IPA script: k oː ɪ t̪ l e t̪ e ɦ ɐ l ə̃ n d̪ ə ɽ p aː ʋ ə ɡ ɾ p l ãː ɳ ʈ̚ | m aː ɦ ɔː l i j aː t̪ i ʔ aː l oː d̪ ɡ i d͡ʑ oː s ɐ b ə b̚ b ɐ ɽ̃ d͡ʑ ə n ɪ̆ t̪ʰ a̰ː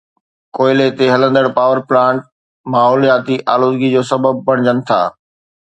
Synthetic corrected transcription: k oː ɪ l e t̪ e ɦ ɐ l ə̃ n d̪ ə ɽ p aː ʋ ə ɾ p l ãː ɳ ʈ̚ | m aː ɦ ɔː l i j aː t̪ i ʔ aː l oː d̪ ɡ i d͡ʑ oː s ɐ b ə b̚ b ɐ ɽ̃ d͡ʑ ə n ɪ̆ t̪ʰ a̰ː